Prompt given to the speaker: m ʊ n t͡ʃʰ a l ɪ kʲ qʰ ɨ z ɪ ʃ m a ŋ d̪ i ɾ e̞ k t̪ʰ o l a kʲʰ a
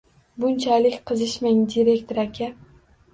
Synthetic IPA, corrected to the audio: b ʊ n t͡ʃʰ a l ɪ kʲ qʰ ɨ z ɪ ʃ m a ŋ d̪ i ɾ e̞ k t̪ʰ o ɾ a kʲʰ a